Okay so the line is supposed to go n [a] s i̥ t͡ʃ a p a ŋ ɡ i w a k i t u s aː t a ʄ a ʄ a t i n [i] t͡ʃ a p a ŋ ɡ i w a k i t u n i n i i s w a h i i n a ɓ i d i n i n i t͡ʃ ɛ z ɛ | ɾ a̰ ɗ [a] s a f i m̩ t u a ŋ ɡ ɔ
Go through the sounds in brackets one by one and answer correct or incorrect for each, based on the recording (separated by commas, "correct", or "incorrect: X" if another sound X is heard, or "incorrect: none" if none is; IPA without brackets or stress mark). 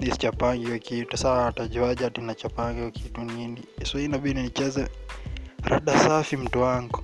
incorrect: i, incorrect: a, correct